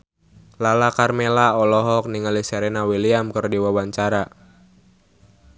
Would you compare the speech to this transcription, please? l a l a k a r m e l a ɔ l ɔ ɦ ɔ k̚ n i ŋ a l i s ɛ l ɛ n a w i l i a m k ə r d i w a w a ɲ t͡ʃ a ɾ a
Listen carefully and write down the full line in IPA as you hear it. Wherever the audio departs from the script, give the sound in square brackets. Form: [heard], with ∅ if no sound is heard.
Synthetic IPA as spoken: l a l a k a r m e l a ɔ l ɔ ɦ ɔ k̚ n i ŋ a l i s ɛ [ɾ] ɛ n a w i l i a m k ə r d i w a w a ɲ t͡ʃ a ɾ a